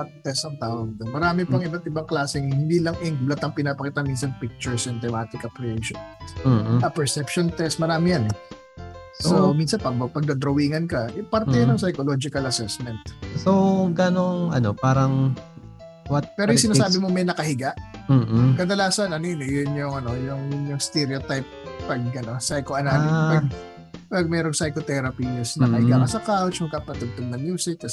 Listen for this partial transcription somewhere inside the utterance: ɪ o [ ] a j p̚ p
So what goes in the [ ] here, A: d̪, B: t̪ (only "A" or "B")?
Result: B